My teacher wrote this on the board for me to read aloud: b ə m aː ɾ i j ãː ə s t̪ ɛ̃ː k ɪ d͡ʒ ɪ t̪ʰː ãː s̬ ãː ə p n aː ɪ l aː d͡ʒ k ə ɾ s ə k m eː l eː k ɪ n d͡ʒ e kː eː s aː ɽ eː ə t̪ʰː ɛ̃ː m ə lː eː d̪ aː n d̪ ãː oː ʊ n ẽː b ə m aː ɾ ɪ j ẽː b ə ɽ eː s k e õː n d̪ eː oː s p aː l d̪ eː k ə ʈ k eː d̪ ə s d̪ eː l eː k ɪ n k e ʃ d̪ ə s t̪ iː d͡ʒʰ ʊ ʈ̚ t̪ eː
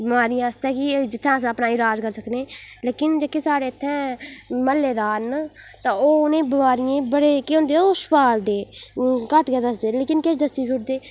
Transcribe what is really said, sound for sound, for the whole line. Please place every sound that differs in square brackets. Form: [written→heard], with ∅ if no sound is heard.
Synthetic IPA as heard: b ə m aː ɾ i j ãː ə s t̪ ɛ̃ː k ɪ d͡ʒ ɪ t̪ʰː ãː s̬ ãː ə p n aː ɪ l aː d͡ʒ k ə ɾ s ə k [m→n] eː l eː k ɪ n d͡ʒ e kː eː s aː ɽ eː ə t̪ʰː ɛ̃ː m ə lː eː d̪ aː n [d̪→t̪] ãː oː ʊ n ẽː b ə m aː ɾ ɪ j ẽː b ə ɽ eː [s→∅] k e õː n d̪ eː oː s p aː l d̪ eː k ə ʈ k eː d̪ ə s d̪ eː l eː k ɪ n k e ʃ d̪ ə s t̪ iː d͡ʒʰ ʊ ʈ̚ [t̪→d̪] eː